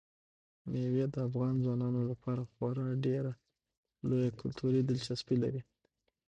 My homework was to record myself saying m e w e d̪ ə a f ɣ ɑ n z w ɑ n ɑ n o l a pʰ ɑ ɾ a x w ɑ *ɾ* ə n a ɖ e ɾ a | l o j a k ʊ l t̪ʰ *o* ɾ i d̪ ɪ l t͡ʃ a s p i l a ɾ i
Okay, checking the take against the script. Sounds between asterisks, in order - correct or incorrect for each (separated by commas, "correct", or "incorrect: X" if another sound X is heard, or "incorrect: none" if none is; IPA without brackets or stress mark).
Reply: correct, incorrect: u